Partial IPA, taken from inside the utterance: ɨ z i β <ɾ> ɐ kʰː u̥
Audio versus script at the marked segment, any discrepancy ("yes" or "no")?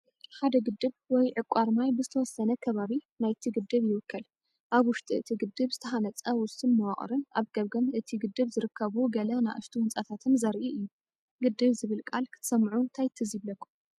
yes